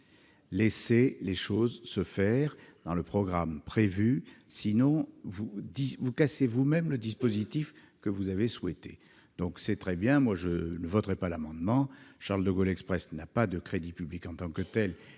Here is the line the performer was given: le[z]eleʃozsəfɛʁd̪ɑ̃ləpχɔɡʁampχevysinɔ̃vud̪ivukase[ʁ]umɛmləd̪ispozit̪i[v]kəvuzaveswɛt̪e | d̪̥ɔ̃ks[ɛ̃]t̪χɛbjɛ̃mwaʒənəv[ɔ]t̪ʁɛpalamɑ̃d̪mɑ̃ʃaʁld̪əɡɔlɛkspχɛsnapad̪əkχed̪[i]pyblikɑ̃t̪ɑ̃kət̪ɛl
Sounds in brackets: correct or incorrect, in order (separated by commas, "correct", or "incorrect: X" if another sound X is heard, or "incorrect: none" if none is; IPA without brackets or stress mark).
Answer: incorrect: s, incorrect: v, incorrect: f, incorrect: ɛ, correct, correct